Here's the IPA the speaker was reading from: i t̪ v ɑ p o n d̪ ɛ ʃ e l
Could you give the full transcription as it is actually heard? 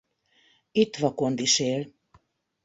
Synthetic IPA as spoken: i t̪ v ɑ k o n d̪ i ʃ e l